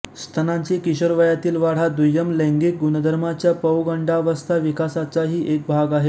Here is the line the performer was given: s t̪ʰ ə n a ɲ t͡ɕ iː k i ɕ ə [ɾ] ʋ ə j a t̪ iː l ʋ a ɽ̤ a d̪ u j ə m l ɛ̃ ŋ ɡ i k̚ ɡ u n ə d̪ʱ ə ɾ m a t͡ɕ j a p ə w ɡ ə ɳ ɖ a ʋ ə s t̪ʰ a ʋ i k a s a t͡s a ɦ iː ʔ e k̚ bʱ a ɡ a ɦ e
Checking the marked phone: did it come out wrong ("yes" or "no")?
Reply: no